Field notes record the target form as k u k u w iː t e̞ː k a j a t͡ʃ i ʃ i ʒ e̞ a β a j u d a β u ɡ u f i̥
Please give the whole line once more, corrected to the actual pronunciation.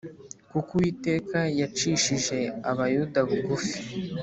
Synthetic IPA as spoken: k u k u w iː t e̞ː k a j a t͡ʃ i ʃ i ʒ e̞ a β a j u d a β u ɡ u f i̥